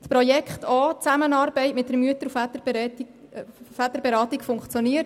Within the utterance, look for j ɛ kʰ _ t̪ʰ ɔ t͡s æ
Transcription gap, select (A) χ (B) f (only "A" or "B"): A